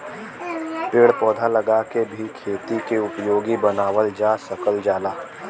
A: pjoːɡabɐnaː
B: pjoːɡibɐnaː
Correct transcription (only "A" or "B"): B